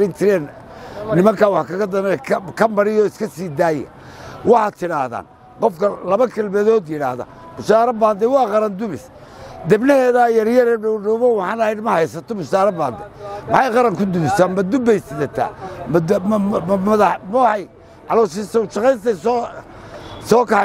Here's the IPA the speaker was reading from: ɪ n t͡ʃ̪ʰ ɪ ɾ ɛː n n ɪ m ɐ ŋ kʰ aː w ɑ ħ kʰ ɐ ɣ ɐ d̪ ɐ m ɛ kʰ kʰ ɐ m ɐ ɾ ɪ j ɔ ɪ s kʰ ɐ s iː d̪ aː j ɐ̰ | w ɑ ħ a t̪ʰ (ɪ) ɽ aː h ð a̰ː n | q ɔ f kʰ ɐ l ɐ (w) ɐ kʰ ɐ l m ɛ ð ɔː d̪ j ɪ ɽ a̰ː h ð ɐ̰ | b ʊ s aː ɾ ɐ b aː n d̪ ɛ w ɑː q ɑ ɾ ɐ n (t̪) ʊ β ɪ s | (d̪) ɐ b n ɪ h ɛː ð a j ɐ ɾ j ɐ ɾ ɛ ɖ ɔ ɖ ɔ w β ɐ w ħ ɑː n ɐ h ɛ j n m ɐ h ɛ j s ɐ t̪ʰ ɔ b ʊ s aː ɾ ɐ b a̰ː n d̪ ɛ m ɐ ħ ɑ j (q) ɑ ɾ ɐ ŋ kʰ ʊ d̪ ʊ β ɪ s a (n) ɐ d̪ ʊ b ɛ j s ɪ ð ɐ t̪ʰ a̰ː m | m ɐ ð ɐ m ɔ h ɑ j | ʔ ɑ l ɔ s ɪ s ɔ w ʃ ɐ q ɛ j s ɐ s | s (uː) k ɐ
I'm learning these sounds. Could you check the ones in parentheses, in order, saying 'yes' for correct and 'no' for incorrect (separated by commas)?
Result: yes, no, no, yes, yes, no, no